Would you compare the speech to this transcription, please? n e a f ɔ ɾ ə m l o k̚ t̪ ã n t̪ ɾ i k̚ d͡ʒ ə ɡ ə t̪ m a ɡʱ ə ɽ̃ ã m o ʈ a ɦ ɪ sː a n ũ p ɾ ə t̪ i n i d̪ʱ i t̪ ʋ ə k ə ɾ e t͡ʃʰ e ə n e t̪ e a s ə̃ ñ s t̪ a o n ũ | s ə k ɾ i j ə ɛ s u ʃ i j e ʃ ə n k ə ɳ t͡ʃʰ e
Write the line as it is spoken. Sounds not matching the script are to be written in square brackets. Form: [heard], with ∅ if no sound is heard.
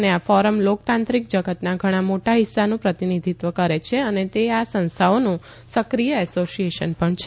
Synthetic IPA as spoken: n e a f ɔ ɾ ə m l o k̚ t̪ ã n t̪ ɾ i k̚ d͡ʒ ə ɡ ə t̪ [n] a ɡʱ ə ɽ̃ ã m o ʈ a ɦ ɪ sː a n ũ p ɾ ə t̪ i n i d̪ʱ i t̪ ʋ ə k ə ɾ e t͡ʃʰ e ə n e t̪ e a s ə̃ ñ s [t̪ʰ] a o n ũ | s ə k ɾ i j ə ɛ s [o] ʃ i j e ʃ ə n [p] ə ɳ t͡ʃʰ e